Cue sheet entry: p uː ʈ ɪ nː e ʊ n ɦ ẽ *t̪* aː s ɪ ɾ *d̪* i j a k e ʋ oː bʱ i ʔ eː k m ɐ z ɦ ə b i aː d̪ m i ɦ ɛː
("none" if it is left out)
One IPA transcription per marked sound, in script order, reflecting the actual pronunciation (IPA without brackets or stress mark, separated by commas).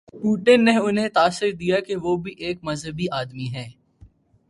t̪, d̪